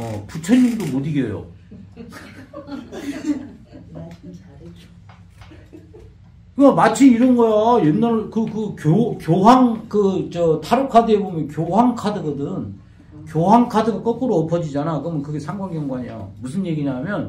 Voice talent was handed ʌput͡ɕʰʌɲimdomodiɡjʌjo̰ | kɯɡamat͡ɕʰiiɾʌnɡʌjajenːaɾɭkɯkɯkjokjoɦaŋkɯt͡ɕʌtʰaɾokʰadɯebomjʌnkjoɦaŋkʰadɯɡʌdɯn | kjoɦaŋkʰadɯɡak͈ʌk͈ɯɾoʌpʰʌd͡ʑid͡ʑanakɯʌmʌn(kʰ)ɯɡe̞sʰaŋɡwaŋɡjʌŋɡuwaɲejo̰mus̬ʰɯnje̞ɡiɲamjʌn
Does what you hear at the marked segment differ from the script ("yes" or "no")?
yes